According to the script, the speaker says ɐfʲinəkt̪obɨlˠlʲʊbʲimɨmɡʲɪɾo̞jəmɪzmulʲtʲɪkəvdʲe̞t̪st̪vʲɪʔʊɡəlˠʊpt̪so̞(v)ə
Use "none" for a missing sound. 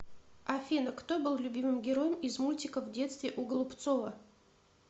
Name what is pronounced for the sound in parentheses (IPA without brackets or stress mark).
v